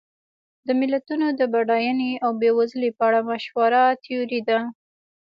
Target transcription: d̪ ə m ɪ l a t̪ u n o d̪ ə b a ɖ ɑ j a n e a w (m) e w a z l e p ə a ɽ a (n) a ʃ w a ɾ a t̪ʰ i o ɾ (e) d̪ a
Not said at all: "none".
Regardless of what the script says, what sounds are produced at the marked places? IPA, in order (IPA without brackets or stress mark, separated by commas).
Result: b, m, i